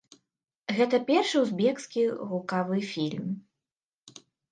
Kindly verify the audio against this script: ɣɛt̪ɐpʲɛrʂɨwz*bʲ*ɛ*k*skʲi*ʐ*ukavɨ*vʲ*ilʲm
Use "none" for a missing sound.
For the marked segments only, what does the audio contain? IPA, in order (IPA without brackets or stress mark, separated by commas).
bʲ, k, ɣ, fʲ